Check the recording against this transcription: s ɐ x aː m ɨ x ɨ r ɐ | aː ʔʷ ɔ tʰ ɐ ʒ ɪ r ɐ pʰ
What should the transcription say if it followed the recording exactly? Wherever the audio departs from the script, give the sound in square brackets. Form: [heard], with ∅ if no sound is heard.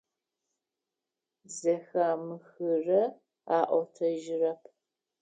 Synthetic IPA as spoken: [z] ɐ x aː m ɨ x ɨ r ɐ | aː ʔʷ ɔ tʰ ɐ ʒ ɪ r ɐ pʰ